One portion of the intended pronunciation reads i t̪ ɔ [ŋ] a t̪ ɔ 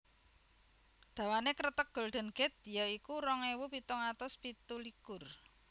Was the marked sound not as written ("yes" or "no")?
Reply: no